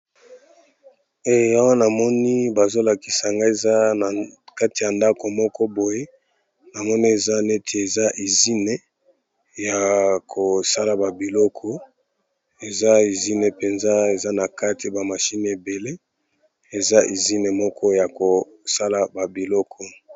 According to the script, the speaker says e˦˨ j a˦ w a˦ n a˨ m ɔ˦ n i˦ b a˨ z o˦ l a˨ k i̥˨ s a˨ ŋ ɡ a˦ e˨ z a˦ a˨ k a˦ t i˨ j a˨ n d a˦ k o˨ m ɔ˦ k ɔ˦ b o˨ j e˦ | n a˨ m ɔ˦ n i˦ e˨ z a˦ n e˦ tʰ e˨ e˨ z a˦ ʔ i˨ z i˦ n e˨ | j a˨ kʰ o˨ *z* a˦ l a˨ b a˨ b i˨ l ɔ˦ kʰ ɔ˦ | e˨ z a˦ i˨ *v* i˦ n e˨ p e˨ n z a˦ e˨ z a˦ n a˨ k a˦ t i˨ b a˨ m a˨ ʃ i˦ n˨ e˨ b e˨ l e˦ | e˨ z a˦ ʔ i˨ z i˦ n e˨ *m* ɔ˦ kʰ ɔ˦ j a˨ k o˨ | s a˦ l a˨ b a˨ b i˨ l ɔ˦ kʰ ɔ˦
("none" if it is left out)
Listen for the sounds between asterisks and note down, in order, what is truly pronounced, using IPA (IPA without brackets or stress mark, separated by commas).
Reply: s, z, m